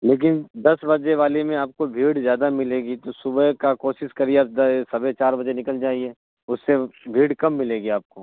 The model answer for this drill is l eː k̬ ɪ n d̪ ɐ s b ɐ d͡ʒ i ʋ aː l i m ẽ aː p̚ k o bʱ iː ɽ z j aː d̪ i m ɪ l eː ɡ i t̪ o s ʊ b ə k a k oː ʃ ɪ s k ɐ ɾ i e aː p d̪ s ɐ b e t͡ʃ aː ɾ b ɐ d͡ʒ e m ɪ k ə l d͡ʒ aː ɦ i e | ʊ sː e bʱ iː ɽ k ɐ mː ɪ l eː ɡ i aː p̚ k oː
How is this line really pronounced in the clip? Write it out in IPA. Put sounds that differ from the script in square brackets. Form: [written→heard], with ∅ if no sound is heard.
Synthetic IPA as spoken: l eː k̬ ɪ n d̪ ɐ s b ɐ d͡ʒ [i→e] ʋ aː l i m ẽ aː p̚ k o bʱ iː ɽ z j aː d̪ [i→a] m ɪ l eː ɡ i t̪ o s ʊ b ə k a k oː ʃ ɪ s k ɐ ɾ i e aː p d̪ s ɐ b e t͡ʃ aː ɾ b ɐ d͡ʒ e [m→n] ɪ k ə l d͡ʒ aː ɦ i e | ʊ sː e bʱ iː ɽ k ɐ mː ɪ l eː ɡ i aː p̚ k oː